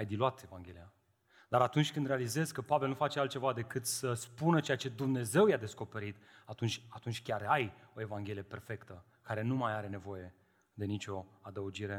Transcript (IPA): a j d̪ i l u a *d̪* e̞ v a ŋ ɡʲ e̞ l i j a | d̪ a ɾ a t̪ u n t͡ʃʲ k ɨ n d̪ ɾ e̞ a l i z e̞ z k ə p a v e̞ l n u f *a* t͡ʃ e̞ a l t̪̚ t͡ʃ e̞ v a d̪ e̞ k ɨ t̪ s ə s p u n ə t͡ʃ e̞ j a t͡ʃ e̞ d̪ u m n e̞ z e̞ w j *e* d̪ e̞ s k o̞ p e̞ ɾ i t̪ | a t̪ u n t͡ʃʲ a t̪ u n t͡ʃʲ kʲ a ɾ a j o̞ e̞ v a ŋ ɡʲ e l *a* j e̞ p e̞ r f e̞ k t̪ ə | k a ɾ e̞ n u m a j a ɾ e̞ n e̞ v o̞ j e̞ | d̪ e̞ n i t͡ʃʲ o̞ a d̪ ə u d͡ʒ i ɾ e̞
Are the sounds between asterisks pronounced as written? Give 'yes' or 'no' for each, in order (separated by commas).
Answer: no, yes, no, no